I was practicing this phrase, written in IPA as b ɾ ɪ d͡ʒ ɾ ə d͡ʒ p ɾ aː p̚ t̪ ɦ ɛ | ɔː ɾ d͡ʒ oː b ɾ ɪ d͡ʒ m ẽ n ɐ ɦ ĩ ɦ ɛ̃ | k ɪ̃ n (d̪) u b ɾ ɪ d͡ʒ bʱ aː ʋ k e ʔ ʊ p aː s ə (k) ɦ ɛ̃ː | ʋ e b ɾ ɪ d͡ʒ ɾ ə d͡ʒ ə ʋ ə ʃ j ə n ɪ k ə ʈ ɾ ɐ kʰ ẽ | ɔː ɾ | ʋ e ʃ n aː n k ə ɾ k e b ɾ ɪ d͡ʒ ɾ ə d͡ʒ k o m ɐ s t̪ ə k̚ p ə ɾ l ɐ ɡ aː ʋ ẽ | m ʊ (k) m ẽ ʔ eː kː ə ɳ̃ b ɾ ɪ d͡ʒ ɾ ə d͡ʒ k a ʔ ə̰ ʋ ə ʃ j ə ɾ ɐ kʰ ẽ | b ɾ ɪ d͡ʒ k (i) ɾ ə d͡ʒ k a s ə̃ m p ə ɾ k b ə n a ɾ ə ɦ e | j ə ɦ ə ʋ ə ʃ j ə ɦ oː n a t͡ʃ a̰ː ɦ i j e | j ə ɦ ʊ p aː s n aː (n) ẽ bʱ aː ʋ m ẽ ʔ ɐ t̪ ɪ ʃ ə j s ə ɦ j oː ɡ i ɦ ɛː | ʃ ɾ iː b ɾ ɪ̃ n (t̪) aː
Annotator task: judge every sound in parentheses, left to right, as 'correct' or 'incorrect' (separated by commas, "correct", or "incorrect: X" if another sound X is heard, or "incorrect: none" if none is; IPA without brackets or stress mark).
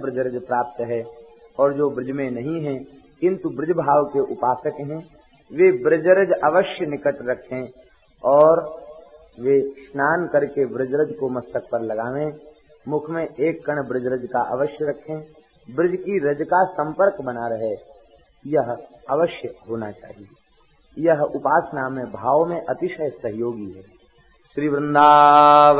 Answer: incorrect: t̪, correct, incorrect: kʰ, correct, incorrect: m, incorrect: d̪